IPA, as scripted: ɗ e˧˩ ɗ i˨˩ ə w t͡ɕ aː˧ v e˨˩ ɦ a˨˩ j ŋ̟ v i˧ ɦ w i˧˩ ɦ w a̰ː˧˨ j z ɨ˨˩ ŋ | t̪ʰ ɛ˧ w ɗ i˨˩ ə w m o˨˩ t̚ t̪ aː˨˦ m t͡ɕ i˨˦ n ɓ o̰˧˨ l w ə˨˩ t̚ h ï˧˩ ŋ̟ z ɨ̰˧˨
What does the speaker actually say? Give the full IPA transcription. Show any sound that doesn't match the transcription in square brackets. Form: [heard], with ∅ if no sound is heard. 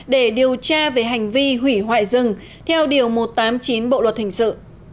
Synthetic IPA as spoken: ɗ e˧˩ ɗ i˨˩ ə w t͡ɕ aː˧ v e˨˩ ɦ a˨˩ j ŋ̟ v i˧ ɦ w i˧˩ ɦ w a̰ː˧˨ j z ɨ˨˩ ŋ | t̪ʰ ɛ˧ w ɗ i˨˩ ə w m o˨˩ t̚ t̪ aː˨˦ m t͡ɕ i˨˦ n ɓ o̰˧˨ l w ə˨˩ t̚ h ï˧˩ ŋ̟ [s] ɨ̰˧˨